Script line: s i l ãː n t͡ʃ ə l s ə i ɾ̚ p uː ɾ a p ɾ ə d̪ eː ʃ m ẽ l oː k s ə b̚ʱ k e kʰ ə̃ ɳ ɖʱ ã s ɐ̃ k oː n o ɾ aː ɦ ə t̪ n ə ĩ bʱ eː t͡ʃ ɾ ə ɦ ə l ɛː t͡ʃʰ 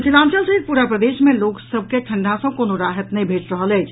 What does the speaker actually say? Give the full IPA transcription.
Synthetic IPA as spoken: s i l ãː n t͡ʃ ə l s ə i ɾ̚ p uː ɾ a p ɾ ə d̪ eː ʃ m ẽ l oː k s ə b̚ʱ k e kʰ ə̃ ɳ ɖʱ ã s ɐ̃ k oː n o ɾ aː ɦ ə t̪ n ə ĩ bʱ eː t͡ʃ ɾ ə ɦ ə l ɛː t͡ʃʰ

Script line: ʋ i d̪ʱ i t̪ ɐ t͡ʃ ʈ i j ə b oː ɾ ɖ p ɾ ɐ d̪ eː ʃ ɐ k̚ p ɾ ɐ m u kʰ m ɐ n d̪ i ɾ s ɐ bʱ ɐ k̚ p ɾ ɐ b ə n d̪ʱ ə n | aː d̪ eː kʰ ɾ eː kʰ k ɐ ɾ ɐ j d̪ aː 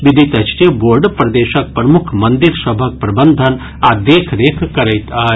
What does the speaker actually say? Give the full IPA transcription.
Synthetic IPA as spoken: ʋ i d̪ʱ i t̪ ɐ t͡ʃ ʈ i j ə b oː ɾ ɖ p ɾ ɐ d̪ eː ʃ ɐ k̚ p ɾ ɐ m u kʰ m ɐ n d̪ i ɾ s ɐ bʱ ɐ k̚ p ɾ ɐ b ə n d̪ʱ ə n | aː d̪ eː kʰ ɾ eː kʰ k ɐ ɾ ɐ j t̪ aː

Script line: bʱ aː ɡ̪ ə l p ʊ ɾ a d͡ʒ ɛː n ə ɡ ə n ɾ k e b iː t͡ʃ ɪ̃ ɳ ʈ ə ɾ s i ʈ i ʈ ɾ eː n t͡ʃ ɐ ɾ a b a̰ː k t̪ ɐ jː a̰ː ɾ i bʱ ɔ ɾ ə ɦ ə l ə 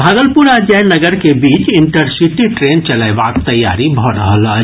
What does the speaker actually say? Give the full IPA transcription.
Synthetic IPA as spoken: bʱ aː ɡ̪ ə l p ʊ ɾ a d͡ʒ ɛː n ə ɡ ə ɾ k e b iː t͡ʃ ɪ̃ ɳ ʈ ə ɾ s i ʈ i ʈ ɾ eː n t͡ʃ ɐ l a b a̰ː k t̪ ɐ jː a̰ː ɾ i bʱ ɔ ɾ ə ɦ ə l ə

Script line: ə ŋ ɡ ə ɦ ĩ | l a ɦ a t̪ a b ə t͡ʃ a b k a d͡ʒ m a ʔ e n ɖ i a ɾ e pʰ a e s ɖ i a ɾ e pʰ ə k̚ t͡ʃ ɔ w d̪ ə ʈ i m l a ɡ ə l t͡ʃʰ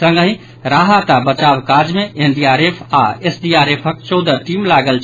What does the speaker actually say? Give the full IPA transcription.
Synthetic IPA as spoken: ə ŋ ɡ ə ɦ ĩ | ɾ a ɦ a t̪ a b ə t͡ʃ a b k a d͡ʒ m e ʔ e n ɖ i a ɾ e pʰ a e s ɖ i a ɾ e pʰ ə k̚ t͡ʃ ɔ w d̪ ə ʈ i m l a ɡ ə l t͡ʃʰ

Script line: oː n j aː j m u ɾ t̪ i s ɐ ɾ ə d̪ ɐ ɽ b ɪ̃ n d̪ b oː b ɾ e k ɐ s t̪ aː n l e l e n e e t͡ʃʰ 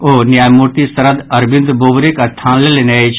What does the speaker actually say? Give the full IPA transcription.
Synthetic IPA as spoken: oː n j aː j m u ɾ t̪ i s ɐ ɾ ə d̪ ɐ ɾ b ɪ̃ n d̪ b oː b ɾ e k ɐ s t̪ʰ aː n l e l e n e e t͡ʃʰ

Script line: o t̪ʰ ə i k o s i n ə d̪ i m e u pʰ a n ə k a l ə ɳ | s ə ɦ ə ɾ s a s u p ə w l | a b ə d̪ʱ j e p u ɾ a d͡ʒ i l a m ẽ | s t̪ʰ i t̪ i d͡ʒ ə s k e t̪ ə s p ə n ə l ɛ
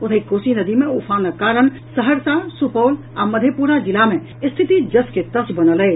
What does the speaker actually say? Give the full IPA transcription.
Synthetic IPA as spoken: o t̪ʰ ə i k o s i n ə d̪ i m e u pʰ a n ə k a ɾ ə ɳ | s ə ɦ ə ɾ s a s u p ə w l | a m ə d̪ʱ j e p u ɾ a d͡ʒ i l a m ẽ | s t̪ʰ i t̪ i d͡ʒ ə s k e t̪ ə s b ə n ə l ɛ

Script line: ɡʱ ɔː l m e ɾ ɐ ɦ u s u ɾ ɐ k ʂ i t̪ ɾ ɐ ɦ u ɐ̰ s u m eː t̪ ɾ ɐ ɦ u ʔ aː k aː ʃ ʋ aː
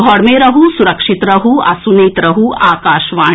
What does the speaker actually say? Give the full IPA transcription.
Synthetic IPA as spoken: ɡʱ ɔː ɽ m e ɾ ɐ ɦ u s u ɾ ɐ k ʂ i t̪ ɾ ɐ ɦ u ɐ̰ s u n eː t̪ ɾ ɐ ɦ u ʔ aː k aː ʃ ʋ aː

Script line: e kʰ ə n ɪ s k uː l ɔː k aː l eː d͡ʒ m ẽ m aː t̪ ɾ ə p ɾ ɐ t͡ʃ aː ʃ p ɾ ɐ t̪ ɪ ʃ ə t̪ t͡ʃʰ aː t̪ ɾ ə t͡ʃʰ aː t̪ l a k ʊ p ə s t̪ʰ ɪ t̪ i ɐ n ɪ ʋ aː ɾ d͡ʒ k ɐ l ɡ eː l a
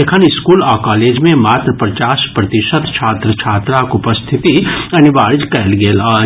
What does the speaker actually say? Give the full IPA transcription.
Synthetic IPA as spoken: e kʰ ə n ɪ s k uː l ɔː k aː l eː d͡ʒ m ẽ m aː t̪ ɾ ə p ɾ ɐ t͡ʃ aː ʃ p ɾ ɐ t̪ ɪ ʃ ə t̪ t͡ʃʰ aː t̪ ɾ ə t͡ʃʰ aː t̪ ɾ a k ʊ p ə s t̪ʰ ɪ t̪ i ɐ n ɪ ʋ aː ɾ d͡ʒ k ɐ l ɡ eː l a

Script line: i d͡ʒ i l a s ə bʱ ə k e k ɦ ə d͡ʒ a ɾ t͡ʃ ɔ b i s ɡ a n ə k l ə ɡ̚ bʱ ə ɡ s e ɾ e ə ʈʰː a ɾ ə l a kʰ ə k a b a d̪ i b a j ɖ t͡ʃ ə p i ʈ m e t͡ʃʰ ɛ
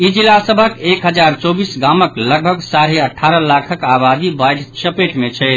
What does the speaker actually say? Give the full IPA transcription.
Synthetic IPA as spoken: i d͡ʒ i l a s ə bʱ ə k e k ɦ ə d͡ʒ a ɾ t͡ʃ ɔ b i s ɡ a m ə k l ə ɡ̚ bʱ ə ɡ s a ɾ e ə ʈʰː a ɾ ə l a kʰ ə k a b a d̪ i b a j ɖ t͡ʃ ə p e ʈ m e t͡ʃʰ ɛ

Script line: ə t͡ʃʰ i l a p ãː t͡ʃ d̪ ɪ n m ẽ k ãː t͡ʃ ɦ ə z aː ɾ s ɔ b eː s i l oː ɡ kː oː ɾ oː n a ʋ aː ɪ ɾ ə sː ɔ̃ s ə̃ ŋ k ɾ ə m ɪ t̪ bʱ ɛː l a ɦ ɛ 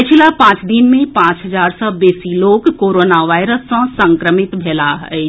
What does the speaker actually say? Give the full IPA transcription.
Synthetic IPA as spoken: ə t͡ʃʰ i l a p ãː t͡ʃ d̪ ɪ n m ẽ p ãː t͡ʃ ɦ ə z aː ɾ s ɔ b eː s i l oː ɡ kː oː ɾ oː n a ʋ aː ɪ ɾ ə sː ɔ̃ s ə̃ ŋ k ɾ ə m ɪ t̪ bʱ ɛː l a ɦ ɛ

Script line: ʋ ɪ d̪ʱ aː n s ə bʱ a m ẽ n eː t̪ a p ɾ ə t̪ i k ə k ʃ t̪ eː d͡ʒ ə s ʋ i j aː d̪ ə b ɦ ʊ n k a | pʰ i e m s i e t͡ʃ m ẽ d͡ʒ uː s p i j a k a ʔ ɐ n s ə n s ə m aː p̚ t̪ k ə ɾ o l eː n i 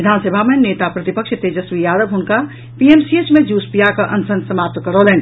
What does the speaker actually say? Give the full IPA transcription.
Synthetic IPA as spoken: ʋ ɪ d̪ʱ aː n s ə bʱ a m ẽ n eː t̪ a p ɾ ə t̪ i p ə k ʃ t̪ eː d͡ʒ ə s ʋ i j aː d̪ ə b ɦ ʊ n k a | p i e m s i e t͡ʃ m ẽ d͡ʒ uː s p i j a k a ʔ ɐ n s ə n s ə m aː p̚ t̪ k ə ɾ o l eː n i

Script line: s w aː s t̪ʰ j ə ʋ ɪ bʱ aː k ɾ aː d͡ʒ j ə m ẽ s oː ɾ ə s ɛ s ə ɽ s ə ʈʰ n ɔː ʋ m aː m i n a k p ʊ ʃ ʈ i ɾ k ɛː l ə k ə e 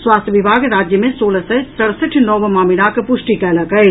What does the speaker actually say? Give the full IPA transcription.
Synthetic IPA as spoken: s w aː s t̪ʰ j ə ʋ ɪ bʱ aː ɡ ɾ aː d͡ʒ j ə m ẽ s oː l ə s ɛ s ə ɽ s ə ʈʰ n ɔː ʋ m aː m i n a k p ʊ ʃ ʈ i k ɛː l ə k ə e

